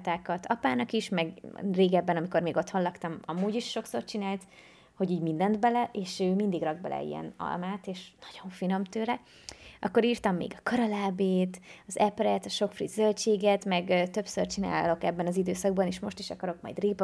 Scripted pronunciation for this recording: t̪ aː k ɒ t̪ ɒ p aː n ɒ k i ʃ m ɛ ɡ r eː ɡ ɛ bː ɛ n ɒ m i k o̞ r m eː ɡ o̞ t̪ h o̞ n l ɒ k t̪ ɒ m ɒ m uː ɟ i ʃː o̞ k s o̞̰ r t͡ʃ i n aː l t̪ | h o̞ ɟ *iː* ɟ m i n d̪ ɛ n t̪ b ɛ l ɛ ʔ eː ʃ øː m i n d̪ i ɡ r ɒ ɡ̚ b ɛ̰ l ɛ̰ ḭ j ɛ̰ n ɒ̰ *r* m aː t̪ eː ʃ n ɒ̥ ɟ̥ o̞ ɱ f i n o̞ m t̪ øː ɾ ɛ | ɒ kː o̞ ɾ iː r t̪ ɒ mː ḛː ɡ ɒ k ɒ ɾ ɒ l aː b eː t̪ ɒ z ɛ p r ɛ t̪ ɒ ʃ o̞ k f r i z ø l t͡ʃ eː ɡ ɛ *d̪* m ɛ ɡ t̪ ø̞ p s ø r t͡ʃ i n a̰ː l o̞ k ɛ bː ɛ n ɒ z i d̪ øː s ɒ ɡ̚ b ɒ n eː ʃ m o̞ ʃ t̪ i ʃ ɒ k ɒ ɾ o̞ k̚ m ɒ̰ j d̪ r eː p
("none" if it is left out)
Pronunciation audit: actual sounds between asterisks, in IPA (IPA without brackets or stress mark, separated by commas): iː, l, t̪